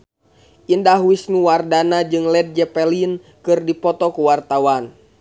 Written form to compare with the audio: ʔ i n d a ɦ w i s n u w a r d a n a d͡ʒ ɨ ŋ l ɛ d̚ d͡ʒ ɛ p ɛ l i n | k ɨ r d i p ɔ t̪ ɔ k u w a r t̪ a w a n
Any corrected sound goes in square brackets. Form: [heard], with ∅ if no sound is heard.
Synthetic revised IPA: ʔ i n d a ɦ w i s n u w a r d a n a d͡ʒ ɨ ŋ l ɛ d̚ d͡ʒ ɛ p ɛ l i n | k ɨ r d i p ɔ t̪ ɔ k u w a r t̪ a w a n